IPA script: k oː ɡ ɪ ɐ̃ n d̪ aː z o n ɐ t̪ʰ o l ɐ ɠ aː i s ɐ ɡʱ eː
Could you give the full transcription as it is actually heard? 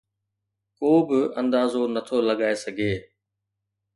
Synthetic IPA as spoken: k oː b ɪ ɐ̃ n d̪ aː z o n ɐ t̪ʰ o l ɐ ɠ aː e s ɐ ɡʱ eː